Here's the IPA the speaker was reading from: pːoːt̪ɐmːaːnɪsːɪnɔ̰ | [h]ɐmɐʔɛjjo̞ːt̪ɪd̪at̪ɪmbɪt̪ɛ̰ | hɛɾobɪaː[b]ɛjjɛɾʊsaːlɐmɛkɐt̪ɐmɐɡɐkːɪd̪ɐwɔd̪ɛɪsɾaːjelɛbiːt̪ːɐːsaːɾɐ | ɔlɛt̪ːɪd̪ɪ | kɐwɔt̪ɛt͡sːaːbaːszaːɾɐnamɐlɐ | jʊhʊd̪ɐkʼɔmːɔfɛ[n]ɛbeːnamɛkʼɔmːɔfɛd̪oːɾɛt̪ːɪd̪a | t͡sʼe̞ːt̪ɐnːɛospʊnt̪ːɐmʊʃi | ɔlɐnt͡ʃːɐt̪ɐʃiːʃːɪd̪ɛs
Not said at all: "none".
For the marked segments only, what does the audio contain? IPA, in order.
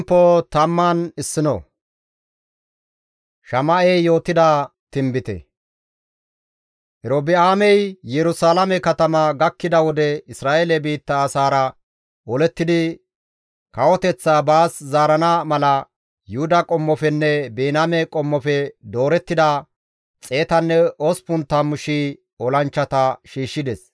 ʃ, m, nː

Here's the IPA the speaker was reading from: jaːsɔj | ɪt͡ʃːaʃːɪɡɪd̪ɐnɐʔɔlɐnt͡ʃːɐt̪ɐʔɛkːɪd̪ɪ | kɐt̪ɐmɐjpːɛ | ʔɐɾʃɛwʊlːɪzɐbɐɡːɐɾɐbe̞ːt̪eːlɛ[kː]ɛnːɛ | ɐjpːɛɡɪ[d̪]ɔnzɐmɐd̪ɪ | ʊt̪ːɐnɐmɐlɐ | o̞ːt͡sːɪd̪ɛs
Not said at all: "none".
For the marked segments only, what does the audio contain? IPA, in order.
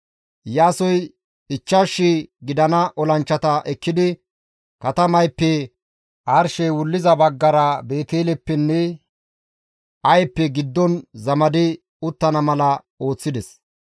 pː, d̪ː

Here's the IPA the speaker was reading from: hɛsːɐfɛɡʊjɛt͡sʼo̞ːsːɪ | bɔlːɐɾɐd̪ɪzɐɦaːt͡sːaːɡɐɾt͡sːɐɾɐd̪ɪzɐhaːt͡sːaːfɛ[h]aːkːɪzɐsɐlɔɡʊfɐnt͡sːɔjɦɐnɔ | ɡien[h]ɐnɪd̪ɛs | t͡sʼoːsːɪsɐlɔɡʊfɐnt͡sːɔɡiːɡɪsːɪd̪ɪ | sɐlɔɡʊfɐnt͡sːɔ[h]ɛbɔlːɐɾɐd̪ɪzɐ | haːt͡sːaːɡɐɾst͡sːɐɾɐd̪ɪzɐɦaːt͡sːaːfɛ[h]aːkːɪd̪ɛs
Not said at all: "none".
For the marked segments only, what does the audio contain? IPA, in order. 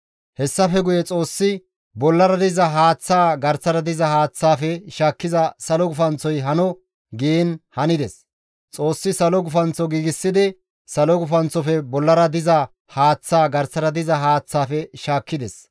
ʃ, h, f, ʃ

